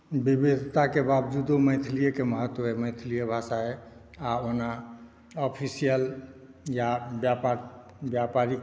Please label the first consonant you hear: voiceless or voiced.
voiced